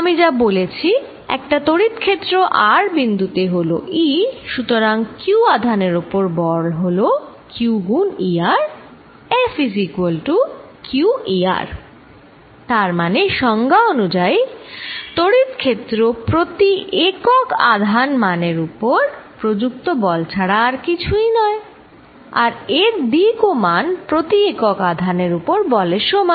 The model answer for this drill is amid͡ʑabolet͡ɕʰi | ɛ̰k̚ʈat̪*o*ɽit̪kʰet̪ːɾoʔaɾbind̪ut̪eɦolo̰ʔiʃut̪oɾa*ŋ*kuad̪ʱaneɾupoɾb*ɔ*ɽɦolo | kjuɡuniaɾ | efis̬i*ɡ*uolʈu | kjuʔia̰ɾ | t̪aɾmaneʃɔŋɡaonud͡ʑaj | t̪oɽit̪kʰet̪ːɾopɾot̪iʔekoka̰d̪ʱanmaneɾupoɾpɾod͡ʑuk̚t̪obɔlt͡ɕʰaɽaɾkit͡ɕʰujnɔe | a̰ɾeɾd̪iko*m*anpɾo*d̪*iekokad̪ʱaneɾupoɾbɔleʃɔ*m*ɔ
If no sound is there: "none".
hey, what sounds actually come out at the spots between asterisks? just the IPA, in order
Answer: o, ŋ, ɔ, k, m, t̪, m

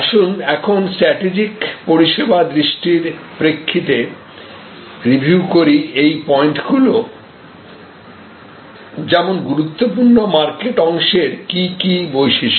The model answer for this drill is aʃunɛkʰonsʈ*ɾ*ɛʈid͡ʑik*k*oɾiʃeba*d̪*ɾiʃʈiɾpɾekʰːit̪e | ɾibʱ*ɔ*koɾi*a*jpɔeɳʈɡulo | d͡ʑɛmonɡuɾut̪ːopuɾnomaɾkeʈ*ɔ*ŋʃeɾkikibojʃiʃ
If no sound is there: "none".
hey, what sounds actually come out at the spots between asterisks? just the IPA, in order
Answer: ɾ, p, d̪, u, e, ɔ

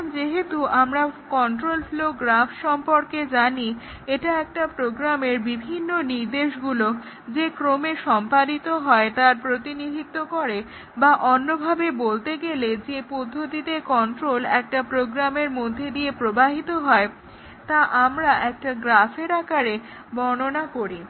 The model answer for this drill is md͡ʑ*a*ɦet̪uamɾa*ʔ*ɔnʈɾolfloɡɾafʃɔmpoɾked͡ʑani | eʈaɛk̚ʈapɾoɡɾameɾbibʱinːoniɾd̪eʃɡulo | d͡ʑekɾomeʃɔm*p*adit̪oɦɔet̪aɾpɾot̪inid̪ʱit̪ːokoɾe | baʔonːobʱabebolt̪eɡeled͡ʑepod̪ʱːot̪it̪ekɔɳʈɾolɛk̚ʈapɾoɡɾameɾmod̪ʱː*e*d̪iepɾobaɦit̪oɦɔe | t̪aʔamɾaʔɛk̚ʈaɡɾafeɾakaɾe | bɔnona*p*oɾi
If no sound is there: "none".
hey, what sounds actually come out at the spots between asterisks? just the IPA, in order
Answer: e, k, p, e, k

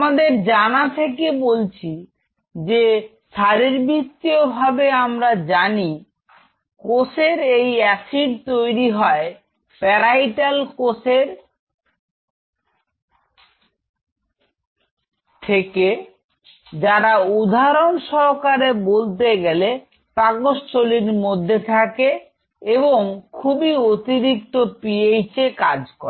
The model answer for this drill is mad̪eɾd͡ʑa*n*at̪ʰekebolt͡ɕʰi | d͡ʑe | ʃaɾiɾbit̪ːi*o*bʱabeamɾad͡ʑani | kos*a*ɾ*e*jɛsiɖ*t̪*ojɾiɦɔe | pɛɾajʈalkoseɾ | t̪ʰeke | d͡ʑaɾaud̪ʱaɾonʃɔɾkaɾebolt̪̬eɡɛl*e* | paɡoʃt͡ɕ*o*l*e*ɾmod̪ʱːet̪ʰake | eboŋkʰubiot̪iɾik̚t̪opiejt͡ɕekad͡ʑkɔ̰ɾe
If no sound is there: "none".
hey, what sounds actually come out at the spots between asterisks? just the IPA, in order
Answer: n, o, e, e, t̪, e, o, i

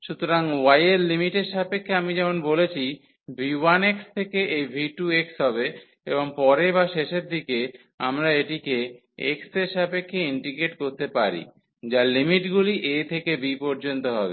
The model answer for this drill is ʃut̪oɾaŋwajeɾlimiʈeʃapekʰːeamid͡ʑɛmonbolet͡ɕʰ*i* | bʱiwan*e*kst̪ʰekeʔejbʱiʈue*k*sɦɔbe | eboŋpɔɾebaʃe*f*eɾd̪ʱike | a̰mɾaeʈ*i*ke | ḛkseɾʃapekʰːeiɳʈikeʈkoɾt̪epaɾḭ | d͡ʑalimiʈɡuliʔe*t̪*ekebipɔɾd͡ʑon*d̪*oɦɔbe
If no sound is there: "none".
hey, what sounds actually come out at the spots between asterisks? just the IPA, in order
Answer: i, e, k, ʃ, i, t̪ʰ, t̪

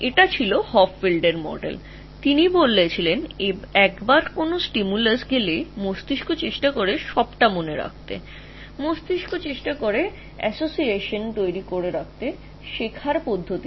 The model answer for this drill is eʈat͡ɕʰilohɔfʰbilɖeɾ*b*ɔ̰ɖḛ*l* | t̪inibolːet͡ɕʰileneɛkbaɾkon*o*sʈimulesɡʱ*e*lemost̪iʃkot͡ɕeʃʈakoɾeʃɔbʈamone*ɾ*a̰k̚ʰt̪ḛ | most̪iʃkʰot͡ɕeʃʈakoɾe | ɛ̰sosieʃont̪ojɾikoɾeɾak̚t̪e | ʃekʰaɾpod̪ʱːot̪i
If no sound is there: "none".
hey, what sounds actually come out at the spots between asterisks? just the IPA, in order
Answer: m, l, o, e, ɾ

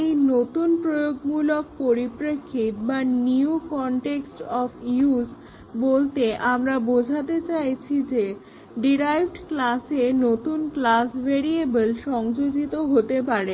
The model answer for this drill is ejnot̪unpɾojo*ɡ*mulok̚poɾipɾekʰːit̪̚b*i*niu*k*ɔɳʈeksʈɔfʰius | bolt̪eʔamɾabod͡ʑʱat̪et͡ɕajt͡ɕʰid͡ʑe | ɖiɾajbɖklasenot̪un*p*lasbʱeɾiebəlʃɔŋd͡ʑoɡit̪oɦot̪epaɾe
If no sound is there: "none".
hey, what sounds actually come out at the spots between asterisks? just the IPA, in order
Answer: ɡ, a, k, k

